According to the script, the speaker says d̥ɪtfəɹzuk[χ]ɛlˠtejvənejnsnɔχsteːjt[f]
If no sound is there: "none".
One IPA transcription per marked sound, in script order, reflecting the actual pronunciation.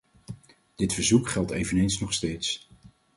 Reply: χ, s

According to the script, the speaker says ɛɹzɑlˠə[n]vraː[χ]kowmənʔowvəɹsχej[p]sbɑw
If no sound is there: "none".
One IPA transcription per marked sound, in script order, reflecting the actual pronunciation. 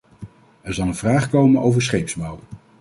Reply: n, χ, p

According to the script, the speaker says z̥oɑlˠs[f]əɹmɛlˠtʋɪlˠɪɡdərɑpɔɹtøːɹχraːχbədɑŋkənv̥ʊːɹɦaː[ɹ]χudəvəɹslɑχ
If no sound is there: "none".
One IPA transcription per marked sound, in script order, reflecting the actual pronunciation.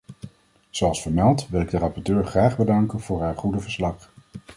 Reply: f, ɹ

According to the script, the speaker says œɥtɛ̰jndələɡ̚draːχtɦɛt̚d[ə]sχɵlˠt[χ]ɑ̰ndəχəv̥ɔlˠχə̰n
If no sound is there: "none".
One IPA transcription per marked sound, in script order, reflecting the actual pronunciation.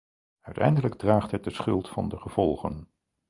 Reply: ə, f

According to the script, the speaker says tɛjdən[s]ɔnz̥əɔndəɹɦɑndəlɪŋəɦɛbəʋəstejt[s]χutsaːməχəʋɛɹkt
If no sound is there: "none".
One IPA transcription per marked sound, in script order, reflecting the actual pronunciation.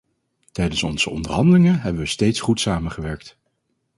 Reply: s, s

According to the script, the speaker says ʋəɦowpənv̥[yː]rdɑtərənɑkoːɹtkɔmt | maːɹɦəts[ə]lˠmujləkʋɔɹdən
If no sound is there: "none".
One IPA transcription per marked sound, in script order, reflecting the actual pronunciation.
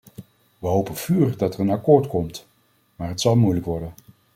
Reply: yː, ɑ

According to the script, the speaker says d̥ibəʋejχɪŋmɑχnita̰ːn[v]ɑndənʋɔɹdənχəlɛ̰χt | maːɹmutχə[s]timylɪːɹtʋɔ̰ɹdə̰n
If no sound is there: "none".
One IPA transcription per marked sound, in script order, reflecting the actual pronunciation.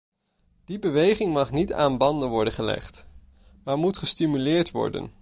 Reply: b, s

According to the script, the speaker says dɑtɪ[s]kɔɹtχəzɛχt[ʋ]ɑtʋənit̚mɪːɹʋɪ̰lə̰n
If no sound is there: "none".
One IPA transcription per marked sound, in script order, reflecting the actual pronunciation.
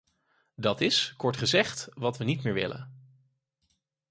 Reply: s, ʋ

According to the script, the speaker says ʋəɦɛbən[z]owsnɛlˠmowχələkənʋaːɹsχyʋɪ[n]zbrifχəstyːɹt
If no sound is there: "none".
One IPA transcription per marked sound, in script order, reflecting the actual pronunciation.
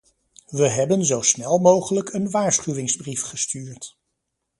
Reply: z, ŋ

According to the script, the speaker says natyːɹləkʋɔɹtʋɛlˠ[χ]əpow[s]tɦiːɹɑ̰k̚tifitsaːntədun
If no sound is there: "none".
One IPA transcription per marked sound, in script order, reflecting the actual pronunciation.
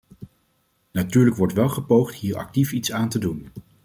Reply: χ, χ

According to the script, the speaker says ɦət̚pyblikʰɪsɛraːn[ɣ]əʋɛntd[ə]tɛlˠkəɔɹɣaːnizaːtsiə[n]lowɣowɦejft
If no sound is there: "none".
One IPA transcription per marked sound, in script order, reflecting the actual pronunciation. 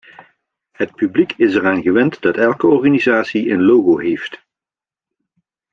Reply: ɣ, ɑ, n

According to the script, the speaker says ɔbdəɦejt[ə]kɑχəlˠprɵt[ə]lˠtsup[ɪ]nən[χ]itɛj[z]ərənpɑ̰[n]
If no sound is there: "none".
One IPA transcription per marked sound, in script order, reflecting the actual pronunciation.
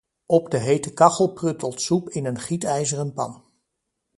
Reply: ə, ə, ɪ, χ, z, n

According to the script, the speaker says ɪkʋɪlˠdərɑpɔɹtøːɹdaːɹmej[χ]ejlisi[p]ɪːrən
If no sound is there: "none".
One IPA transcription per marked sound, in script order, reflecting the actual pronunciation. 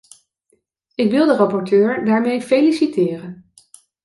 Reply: f, t

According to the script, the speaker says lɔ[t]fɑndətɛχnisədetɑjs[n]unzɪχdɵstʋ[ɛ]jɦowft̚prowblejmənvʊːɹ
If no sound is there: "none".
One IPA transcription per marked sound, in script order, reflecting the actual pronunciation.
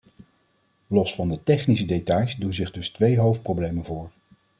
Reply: s, d, e

